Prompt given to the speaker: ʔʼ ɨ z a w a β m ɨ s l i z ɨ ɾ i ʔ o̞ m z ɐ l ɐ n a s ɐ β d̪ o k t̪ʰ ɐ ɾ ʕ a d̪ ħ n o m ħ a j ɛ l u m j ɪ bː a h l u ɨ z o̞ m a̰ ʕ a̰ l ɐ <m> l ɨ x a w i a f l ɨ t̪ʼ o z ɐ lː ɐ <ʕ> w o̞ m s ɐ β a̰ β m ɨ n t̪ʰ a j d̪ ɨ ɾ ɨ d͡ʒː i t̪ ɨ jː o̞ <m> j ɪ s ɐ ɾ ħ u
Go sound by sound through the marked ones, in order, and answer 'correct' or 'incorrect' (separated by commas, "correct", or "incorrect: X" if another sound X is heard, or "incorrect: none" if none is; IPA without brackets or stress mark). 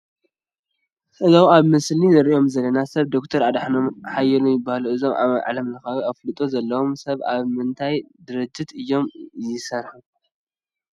correct, incorrect: none, correct